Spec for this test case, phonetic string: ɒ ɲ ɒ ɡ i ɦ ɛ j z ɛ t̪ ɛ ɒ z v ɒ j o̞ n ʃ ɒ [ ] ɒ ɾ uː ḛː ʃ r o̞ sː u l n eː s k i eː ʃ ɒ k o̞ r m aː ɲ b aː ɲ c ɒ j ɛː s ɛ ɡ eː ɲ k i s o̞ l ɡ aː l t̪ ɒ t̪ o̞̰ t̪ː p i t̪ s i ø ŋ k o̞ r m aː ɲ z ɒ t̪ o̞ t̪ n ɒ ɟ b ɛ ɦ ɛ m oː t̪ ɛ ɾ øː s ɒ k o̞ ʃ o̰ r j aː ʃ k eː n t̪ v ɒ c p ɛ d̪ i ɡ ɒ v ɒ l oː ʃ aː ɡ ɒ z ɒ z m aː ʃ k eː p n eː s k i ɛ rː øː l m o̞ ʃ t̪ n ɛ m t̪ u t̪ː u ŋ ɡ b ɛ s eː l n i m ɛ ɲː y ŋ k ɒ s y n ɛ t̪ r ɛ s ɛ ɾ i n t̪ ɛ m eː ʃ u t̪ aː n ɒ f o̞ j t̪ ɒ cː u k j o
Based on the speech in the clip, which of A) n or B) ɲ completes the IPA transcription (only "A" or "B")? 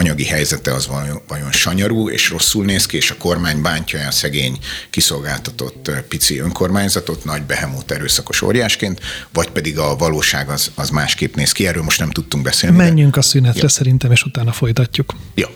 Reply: B